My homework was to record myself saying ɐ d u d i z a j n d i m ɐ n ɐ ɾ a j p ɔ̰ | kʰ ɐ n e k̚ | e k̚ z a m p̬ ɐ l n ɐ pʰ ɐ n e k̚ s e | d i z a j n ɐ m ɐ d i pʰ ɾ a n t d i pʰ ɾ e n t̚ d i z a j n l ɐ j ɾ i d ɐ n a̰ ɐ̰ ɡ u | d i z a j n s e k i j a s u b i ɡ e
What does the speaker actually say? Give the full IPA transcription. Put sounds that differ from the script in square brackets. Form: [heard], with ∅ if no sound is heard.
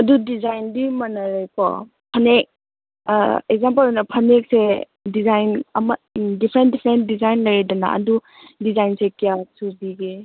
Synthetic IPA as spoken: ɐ d u d i z a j n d i m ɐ n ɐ ɾ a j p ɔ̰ | [pʰ] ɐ n e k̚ | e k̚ z a m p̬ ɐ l n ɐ pʰ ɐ n e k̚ s e | d i z a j n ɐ m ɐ d i pʰ ɾ [e] n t d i pʰ ɾ e n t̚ d i z a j n l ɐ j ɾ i d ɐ n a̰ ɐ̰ [d] u | d i z a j n s e k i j a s u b i ɡ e

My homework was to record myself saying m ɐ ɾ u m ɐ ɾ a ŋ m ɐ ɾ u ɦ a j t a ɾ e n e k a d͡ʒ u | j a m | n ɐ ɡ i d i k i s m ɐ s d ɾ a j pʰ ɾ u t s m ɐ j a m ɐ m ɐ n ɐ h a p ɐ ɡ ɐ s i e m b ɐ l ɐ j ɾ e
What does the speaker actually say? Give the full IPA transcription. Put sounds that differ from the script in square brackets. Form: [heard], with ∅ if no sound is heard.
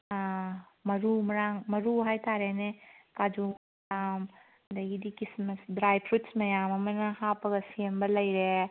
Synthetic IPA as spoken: m ɐ ɾ u m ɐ ɾ a ŋ m ɐ ɾ u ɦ a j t a ɾ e n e k a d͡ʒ u | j a m | [d] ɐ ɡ i d i k i s m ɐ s d ɾ a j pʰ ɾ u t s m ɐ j a m ɐ m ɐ n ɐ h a p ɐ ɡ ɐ s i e m b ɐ l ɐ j ɾ e

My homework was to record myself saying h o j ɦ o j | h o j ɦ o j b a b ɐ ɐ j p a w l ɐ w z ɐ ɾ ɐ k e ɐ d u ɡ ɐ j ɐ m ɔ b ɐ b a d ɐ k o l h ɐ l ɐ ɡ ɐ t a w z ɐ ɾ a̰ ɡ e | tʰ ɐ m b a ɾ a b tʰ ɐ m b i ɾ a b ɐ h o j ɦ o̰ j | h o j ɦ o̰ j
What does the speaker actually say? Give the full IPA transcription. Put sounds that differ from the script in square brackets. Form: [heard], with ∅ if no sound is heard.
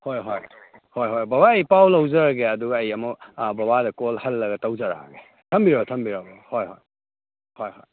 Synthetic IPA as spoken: h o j ɦ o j | h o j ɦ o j b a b [a] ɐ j p a w l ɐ w z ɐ ɾ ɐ [ɡ] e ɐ d u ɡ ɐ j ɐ m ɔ b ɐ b a d ɐ k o l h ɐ [lː] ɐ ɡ ɐ t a w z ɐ ɾ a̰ ɡ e | tʰ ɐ m b [i] ɾ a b tʰ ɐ m b i ɾ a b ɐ h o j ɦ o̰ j | h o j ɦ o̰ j

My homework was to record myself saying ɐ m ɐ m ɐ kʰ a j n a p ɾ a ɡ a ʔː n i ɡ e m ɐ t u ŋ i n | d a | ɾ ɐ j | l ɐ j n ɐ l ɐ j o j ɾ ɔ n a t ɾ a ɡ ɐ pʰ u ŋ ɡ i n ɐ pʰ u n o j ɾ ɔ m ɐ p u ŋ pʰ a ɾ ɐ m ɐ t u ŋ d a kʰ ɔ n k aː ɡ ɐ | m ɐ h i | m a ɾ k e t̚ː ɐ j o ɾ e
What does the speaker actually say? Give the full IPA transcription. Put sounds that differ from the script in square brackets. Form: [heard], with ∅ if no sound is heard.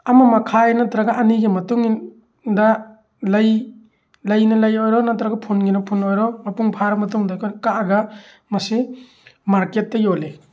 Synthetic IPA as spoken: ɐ m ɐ m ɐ kʰ a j n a [t] ɾ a ɡ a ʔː n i ɡ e m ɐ t u ŋ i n | d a | [l] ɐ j | l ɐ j n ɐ l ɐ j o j ɾ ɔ n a t ɾ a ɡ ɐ pʰ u [n] ɡ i n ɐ pʰ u n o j ɾ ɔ m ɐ p u ŋ pʰ a ɾ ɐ m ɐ t u ŋ d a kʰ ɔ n k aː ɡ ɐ | m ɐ [s] i | m a ɾ k e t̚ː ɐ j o [l] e

